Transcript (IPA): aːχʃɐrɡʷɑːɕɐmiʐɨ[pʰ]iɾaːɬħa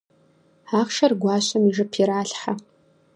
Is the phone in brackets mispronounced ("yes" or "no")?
no